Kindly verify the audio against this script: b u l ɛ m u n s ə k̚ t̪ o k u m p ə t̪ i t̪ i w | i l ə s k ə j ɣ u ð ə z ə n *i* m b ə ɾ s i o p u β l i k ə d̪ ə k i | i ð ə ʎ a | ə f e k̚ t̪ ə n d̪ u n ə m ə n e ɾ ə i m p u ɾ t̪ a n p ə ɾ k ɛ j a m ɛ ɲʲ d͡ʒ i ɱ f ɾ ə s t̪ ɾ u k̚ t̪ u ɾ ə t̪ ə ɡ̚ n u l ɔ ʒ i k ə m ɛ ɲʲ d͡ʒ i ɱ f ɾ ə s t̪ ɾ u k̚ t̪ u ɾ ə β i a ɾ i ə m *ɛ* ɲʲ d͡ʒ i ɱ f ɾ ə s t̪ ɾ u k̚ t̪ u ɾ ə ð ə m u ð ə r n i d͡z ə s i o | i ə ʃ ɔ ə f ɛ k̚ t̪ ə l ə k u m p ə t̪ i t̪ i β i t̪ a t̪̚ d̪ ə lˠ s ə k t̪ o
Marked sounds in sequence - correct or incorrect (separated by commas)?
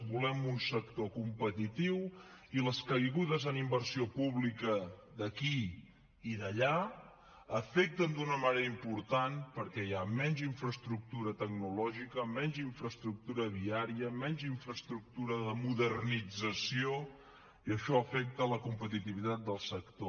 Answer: correct, correct